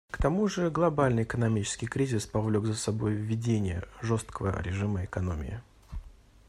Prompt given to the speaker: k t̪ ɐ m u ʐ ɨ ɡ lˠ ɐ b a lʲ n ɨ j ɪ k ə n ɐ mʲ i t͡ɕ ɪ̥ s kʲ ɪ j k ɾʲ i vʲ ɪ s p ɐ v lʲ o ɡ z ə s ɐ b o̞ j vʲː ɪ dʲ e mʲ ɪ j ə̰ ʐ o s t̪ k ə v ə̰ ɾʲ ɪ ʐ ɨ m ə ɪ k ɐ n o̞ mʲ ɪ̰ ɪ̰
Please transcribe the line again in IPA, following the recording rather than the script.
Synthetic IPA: k t̪ ɐ m u ʐ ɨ ɡ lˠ ɐ b a lʲ n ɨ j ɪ k ə n ɐ mʲ i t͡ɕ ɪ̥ s kʲ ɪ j k ɾʲ i zʲ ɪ s p ɐ v lʲ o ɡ z ə s ɐ b o̞ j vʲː ɪ dʲ e nʲ ɪ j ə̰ ʐ o s t̪ k ə v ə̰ ɾʲ ɪ ʐ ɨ m ə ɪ k ɐ n o̞ mʲ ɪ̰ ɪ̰